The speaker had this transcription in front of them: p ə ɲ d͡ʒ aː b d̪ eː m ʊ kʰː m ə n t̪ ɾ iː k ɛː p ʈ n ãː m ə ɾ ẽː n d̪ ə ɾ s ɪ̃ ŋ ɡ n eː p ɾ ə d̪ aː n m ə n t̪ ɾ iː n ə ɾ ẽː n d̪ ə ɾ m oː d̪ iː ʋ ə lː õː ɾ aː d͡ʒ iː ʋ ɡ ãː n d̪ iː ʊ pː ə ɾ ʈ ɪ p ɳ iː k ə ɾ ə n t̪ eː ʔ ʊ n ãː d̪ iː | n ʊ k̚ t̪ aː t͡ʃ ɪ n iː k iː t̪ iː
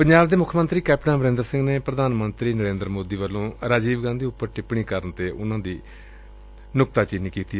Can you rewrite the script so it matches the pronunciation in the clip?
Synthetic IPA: p ə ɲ d͡ʒ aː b d̪ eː m ʊ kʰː m ə n t̪ ɾ iː k ɛː p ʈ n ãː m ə ɾ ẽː n d̪ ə ɾ s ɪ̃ ŋ ɡ n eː p ɾ ə d̪ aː n m ə n t̪ ɾ iː n ə ɾ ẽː n d̪ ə ɾ m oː d̪ iː ʋ ə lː õː ɾ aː d͡ʒ iː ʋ ɡ ãː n d̪ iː ʊ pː ə ɾ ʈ ɪ p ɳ iː k ə ɾ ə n t̪ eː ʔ ʊ n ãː d̪ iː | n ʊ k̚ t̪ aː t͡ʃ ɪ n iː k iː t̪ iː